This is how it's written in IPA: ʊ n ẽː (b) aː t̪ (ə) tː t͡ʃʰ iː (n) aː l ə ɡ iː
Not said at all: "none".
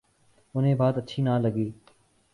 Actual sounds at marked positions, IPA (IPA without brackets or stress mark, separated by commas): b, ə, n